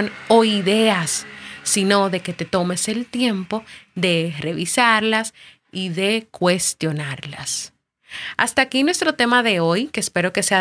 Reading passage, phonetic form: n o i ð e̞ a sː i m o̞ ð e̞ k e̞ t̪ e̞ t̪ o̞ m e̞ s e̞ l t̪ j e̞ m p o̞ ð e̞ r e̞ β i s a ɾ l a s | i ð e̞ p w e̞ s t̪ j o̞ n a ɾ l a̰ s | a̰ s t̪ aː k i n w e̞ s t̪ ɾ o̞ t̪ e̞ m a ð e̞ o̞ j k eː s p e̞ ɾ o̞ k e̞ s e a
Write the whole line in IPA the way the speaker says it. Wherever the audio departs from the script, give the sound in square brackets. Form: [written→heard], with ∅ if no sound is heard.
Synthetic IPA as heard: n o i ð e̞ a sː i [m→n] o̞ ð e̞ k e̞ t̪ e̞ t̪ o̞ m e̞ s e̞ l t̪ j e̞ m p o̞ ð e̞ r e̞ β i s a ɾ l a s | i ð e̞ [p→k] w e̞ s t̪ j o̞ n a ɾ l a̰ s | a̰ s t̪ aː k i n w e̞ s t̪ ɾ o̞ t̪ e̞ m a ð e̞ o̞ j k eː s p e̞ ɾ o̞ k e̞ s e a